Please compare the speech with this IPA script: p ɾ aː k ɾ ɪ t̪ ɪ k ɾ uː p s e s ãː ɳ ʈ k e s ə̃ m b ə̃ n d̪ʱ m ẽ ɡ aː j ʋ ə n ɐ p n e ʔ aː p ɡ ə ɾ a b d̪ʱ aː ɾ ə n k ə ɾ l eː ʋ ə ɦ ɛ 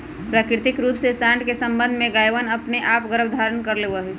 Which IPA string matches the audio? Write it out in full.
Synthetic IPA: p ɾ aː k ɾ ɪ t̪ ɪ k ɾ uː p s e s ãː ɳ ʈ k e s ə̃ m b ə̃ n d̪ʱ m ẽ ɡ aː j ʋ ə n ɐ p n e ʔ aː p ɡ ə ɾ ə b d̪ʱ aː ɾ ə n k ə ɾ l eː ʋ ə ɦ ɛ